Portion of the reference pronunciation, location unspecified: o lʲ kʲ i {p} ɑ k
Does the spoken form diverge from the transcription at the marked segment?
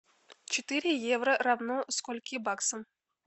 yes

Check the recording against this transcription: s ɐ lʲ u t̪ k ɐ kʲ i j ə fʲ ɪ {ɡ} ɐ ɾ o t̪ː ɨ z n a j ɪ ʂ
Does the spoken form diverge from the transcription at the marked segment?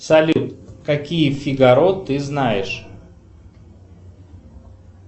no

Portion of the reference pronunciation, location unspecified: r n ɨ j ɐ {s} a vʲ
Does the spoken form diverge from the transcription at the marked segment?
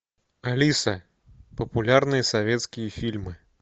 no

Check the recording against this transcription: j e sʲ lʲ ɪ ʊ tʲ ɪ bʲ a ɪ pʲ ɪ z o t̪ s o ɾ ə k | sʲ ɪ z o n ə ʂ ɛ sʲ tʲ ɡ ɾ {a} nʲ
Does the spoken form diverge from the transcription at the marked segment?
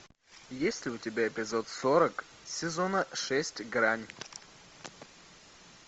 no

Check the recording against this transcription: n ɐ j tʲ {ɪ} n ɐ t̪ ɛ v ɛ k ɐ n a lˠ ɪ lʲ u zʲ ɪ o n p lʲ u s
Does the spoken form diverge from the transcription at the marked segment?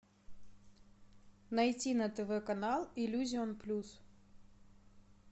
yes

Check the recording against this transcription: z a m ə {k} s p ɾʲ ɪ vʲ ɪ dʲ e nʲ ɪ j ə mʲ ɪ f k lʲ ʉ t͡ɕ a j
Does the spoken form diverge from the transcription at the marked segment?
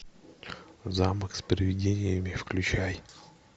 no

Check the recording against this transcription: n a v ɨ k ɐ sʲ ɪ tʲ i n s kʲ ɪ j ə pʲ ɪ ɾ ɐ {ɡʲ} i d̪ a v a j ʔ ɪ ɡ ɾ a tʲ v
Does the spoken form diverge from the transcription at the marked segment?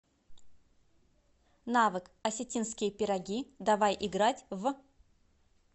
no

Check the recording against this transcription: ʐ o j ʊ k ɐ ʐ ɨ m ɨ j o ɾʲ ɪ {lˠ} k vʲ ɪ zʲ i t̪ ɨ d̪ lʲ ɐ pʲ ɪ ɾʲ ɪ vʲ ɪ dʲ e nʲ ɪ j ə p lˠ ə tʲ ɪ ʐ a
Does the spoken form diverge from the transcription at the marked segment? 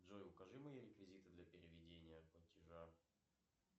yes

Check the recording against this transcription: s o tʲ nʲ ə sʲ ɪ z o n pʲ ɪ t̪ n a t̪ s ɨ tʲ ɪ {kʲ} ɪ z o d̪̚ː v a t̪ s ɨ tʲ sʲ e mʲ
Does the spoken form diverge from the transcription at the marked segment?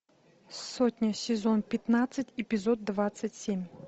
yes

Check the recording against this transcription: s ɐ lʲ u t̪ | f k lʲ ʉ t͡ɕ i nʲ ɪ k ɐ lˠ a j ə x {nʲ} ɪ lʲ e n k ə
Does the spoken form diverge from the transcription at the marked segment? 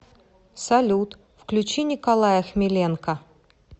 yes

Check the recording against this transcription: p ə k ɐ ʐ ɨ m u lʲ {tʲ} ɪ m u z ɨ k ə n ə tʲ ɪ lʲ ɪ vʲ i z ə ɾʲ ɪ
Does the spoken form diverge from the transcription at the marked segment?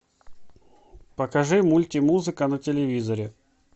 no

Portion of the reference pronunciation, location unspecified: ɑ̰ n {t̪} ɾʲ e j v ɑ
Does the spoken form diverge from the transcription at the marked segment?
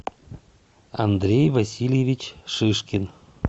yes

